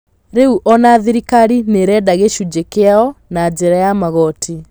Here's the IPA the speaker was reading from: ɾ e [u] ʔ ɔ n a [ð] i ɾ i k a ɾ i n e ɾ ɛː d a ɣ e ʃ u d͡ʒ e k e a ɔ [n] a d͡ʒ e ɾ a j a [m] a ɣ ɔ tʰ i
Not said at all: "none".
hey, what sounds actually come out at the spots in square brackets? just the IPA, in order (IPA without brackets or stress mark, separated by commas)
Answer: u, ð, n, m